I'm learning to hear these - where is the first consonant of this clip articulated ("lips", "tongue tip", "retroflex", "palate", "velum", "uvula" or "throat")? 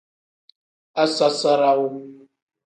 tongue tip